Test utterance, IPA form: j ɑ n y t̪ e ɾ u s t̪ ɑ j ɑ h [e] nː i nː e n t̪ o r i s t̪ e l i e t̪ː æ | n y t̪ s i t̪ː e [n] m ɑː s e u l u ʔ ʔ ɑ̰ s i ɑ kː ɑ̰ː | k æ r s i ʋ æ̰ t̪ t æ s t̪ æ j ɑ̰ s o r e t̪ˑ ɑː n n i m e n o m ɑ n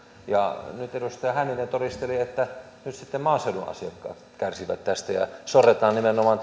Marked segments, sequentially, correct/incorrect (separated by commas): incorrect, incorrect